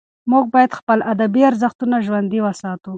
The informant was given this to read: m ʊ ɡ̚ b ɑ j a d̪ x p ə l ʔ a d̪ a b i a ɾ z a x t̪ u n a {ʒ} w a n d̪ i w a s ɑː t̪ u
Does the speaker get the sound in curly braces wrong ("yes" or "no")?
no